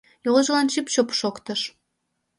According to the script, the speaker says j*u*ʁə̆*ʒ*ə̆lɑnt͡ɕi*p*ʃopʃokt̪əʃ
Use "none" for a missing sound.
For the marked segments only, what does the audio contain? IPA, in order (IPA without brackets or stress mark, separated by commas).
o, ʒ, p